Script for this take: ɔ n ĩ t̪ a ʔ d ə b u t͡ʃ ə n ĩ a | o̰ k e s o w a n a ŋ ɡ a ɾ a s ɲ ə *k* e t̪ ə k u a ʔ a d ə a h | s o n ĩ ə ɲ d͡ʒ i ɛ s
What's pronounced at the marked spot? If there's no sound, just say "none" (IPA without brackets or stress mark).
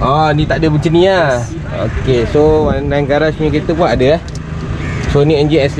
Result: k